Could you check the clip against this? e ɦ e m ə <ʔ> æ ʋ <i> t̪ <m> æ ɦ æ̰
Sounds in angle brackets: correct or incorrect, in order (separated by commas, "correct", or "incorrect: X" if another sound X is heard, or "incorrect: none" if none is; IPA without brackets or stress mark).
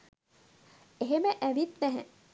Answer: correct, correct, incorrect: n